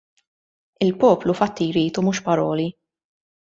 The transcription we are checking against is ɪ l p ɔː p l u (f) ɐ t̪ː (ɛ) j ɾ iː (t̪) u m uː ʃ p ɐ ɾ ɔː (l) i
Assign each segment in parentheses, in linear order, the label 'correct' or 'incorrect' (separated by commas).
correct, incorrect, correct, correct